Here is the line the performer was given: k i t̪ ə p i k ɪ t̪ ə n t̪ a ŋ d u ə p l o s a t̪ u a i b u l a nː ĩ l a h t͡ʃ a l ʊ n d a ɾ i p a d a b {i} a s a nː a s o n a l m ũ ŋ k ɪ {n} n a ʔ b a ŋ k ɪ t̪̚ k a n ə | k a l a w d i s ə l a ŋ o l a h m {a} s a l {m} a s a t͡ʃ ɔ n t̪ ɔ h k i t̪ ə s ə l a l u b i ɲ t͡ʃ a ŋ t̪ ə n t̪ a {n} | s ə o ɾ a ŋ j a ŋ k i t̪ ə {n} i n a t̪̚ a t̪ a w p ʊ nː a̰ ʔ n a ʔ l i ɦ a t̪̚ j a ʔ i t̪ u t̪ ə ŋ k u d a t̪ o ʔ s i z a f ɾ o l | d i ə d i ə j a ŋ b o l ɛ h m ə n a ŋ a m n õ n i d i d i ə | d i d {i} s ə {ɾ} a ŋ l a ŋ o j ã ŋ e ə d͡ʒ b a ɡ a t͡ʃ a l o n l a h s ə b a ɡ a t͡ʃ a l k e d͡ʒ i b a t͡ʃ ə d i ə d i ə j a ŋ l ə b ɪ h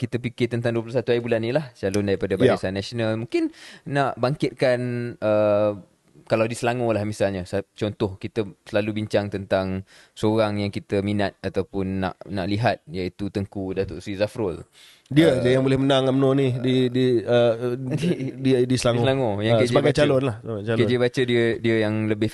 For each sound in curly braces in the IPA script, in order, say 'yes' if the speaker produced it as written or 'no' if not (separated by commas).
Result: no, yes, no, no, no, no, yes, no